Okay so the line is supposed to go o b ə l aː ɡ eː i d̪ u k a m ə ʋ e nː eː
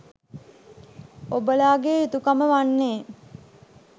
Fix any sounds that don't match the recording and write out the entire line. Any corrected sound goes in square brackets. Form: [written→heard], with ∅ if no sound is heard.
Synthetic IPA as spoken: o b ə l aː ɡ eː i [d̪→t̪] u k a m ə ʋ [e→a] nː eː